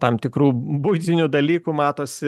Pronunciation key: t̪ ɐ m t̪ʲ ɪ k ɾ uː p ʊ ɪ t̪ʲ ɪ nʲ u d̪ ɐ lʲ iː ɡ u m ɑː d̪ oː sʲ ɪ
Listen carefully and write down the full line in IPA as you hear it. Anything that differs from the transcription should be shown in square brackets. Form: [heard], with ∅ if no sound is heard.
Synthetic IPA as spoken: t̪ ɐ m t̪ʲ ɪ k ɾ uː [b] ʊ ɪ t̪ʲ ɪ nʲ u d̪ ɐ lʲ iː [k] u m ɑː [t̪] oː sʲ ɪ